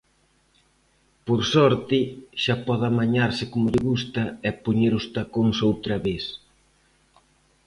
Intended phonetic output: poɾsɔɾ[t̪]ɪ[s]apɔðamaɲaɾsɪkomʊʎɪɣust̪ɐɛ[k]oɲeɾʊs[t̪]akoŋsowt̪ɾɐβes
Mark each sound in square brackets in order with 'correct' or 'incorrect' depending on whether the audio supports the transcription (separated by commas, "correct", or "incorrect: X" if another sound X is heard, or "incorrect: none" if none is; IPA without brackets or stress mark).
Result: correct, incorrect: ʃ, incorrect: p, correct